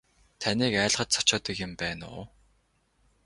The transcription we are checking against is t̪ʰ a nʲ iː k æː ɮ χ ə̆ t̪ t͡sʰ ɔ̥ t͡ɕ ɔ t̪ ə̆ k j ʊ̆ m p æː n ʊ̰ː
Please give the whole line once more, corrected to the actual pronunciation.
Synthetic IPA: t̪ʰ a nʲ iː k æː ɮ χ ə̆ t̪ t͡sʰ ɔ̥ t͡ɕ ɔː t̪ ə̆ k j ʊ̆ m p æː n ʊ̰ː